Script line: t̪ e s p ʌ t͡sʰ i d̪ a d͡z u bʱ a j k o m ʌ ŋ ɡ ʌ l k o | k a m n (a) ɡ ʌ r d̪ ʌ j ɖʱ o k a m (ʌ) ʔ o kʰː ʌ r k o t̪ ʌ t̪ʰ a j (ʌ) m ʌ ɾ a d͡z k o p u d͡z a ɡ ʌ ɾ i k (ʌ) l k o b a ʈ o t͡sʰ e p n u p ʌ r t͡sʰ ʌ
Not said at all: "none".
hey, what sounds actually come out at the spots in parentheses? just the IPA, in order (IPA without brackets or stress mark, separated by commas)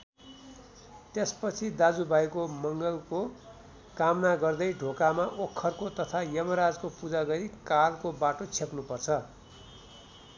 a, a, ʌ, a